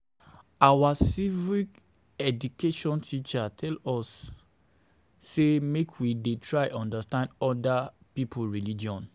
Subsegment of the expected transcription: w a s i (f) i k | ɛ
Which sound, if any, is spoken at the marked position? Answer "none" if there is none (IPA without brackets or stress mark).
v